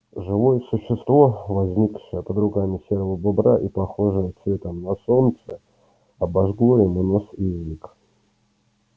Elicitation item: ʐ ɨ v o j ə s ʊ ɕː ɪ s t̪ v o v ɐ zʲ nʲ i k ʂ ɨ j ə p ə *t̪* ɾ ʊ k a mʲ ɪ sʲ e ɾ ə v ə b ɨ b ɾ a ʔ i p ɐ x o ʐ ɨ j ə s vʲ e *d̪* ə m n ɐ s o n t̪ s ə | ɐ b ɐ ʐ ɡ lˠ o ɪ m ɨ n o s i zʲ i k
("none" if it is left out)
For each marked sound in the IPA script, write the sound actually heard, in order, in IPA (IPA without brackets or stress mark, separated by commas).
d̪, t̪